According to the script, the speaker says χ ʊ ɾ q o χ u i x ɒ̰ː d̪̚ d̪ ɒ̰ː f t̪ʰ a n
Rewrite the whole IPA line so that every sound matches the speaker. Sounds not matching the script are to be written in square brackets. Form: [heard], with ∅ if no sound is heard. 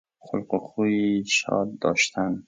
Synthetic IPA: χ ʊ [l] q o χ u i [ʃ] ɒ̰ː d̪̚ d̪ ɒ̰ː [ʃ] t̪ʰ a n